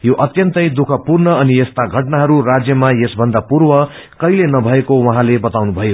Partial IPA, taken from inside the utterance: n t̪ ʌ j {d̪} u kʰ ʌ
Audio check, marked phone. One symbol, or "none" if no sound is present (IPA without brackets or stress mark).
d̪